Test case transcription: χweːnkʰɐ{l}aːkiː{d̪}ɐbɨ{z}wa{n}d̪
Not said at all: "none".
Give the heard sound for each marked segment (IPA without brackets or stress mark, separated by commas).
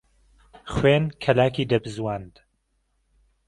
l, d̪, z, n